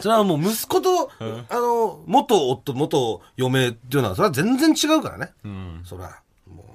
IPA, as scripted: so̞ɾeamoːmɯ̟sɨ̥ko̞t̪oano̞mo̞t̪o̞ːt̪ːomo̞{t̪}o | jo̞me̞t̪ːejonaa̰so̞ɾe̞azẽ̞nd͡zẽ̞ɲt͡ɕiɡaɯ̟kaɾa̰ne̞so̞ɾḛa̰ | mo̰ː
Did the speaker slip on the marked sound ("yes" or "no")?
no